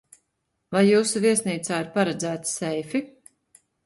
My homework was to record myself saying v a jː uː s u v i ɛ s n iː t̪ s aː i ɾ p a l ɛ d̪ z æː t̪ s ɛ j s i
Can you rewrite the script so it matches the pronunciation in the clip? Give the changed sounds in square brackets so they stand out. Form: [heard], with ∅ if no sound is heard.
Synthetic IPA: v a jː uː s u v i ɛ s n iː t̪ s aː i ɾ p a [ɾ] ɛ d̪ z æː t̪ s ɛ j [f] i